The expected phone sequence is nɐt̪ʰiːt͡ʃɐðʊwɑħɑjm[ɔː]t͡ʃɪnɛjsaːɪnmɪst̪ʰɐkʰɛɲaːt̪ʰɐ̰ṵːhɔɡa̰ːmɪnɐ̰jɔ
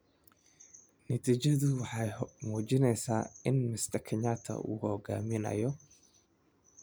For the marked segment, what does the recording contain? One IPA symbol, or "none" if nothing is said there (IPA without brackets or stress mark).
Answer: uː